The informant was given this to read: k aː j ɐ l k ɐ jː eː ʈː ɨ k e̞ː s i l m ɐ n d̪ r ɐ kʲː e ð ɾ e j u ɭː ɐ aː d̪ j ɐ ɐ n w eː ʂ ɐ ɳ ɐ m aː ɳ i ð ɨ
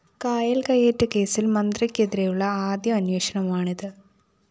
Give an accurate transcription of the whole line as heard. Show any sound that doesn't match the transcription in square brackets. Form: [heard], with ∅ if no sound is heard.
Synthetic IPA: k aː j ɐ l k ɐ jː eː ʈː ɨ k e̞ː s i l m ɐ n d̪ r ɐ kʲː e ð ɾ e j u ɭː ɐ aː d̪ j ɐ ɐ n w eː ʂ ɐ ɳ ɐ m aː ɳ i ð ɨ